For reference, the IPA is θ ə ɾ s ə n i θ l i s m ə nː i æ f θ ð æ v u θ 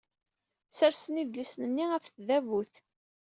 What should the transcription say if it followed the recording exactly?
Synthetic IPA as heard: s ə ɾ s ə n i ð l i s n ə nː i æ f θ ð æ v u θ